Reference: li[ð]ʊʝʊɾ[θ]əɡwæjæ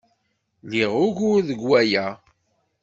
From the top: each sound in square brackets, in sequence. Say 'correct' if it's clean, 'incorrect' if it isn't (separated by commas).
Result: incorrect, incorrect